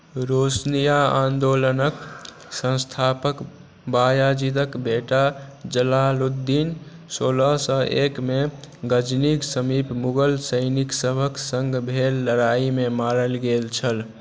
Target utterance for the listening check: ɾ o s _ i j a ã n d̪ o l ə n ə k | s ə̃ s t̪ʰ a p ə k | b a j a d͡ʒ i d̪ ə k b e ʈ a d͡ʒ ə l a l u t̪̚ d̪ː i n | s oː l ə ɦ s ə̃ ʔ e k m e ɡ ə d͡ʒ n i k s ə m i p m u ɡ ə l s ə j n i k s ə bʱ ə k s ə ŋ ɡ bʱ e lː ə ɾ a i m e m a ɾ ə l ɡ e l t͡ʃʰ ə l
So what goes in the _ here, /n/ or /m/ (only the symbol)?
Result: n